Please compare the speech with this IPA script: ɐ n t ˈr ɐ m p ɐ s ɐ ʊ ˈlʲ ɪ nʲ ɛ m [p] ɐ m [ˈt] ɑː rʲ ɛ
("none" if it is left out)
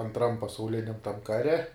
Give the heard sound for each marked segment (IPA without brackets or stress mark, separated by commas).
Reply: t, k